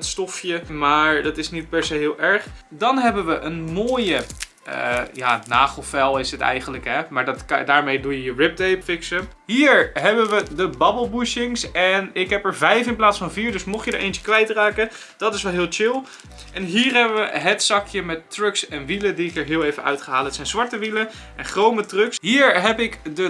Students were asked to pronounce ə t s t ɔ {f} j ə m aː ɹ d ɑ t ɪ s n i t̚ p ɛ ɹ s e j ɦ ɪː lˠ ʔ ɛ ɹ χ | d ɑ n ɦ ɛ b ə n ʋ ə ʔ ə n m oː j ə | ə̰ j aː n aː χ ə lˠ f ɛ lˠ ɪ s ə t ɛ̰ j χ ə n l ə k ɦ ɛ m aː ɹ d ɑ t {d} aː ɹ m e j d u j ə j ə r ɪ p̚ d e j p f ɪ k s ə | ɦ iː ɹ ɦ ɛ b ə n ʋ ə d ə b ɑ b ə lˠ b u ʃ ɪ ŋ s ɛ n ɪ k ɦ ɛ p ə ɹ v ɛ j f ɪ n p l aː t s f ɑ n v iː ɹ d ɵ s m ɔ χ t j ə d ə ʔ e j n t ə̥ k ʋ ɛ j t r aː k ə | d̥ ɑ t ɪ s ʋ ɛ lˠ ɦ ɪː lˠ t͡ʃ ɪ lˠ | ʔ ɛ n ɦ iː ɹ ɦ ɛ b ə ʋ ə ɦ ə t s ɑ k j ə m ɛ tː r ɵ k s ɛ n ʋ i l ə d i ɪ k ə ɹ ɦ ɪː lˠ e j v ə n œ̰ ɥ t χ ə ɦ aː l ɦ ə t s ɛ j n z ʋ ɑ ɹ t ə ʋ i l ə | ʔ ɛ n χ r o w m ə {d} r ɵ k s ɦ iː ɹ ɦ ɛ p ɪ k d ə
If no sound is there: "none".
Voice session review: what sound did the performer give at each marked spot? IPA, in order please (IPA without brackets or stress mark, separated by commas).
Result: f, d, t